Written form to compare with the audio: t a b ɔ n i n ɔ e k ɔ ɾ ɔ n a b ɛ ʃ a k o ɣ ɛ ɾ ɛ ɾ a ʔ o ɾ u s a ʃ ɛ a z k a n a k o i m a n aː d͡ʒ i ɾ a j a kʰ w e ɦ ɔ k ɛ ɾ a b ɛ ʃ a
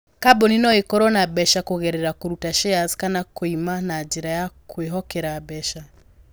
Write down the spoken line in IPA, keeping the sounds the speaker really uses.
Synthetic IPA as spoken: k a b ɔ n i n ɔ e k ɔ ɾ ɔ n a b ɛ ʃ a k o ɣ ɛ ɾ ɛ ɾ a k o ɾ u t a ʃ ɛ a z k a n a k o i m a n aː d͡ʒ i ɾ a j a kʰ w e ɦ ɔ k ɛ ɾ a b ɛ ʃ a